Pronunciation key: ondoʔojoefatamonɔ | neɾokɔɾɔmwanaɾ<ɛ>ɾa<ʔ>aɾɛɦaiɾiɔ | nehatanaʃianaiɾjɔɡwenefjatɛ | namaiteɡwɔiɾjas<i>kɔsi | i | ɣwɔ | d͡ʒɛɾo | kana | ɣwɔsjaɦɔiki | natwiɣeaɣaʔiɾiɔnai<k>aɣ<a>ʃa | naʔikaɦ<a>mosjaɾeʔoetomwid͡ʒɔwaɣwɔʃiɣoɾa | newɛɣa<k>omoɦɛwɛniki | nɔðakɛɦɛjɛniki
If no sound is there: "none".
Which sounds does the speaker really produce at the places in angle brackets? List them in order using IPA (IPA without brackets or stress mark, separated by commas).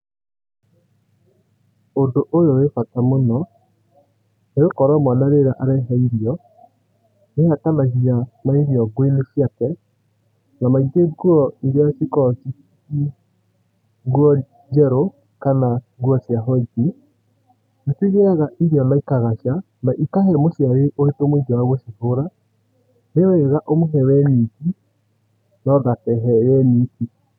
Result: e, ʔ, i, k, a, ɛ, ʔ